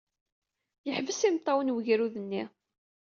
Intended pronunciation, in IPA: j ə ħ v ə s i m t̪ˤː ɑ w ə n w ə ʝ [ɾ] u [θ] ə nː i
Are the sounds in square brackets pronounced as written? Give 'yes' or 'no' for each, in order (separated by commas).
yes, no